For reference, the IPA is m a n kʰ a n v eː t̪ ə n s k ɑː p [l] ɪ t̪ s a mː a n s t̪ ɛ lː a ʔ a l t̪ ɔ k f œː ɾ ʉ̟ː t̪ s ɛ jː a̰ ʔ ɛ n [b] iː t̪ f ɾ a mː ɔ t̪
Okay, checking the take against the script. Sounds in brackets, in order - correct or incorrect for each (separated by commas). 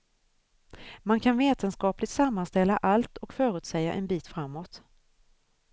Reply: correct, correct